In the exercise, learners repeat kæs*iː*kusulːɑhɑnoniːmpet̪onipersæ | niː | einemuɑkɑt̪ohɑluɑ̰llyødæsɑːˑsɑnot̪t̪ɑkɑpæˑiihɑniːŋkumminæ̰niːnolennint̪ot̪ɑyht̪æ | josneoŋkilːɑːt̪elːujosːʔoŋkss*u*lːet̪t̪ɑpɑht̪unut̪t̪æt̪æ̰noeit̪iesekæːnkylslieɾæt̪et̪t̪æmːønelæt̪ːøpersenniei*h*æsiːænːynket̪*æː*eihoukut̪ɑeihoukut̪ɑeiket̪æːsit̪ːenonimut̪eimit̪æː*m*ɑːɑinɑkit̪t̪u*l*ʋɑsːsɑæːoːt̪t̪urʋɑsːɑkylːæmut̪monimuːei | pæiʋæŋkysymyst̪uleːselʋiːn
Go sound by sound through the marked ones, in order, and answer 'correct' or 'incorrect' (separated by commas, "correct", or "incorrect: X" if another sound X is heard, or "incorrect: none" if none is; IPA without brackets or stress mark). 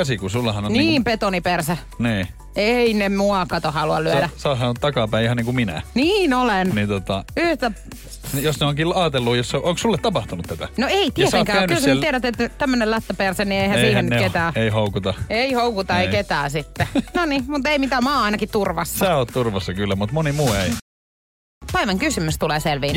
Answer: incorrect: i, correct, correct, correct, correct, incorrect: r